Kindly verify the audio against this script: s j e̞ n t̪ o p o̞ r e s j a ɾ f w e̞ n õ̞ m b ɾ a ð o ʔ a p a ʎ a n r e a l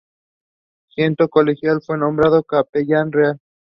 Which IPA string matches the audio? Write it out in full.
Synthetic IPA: s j e̞ n t̪ o k o̞ l e x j a l f w e̞ n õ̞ m b ɾ a ð o k a p e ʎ a n r e a l